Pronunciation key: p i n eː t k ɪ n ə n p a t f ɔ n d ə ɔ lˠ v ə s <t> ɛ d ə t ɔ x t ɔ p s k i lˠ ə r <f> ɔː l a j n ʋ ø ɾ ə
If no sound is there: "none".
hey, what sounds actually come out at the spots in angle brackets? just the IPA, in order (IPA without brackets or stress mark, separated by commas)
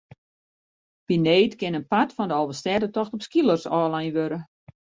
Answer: t, s